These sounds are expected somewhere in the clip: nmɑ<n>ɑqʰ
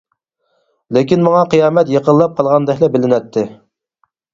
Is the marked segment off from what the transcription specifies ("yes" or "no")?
yes